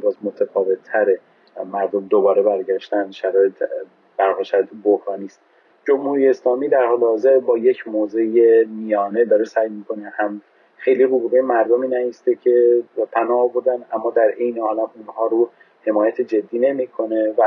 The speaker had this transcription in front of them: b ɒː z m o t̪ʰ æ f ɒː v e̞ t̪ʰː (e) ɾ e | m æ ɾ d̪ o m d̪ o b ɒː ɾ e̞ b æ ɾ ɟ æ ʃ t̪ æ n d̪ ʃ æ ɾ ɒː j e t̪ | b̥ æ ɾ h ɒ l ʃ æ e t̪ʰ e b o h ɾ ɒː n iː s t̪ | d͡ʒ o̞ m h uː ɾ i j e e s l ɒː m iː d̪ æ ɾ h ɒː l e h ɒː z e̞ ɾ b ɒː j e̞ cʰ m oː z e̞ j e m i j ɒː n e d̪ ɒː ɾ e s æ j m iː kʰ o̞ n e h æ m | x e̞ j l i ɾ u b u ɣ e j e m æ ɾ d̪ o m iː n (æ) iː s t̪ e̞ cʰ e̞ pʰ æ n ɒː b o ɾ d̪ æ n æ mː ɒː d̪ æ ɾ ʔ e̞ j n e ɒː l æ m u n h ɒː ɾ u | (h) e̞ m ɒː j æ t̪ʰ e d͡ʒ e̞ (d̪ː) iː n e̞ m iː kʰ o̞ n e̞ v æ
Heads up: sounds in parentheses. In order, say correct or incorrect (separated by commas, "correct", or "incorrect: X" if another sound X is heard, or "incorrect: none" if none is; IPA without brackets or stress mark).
incorrect: æ, correct, correct, correct